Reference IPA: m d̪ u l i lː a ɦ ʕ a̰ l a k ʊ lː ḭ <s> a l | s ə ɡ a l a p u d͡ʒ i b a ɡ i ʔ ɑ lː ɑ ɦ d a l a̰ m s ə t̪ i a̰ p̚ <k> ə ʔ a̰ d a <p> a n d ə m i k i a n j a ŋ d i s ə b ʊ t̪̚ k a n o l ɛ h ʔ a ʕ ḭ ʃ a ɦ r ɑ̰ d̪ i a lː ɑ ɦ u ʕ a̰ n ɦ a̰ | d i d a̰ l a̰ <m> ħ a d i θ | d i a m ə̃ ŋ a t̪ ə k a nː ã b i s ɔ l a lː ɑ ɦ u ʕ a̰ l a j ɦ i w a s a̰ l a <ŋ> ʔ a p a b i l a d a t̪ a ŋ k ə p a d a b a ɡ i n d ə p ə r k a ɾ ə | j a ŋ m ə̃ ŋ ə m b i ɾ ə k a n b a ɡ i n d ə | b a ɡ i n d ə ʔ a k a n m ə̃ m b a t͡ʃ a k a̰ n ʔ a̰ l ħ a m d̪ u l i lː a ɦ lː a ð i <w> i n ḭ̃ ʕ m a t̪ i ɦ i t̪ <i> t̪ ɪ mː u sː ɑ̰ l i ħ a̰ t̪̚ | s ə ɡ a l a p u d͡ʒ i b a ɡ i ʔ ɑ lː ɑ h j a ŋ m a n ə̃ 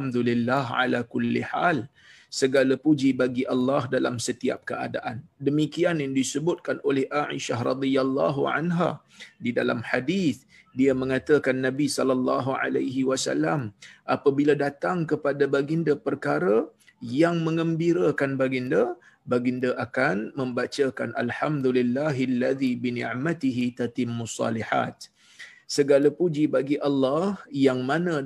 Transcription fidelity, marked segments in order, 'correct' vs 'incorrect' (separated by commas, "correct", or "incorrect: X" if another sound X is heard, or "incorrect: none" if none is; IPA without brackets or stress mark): incorrect: ħ, correct, incorrect: ʔ, correct, incorrect: m, incorrect: b, incorrect: a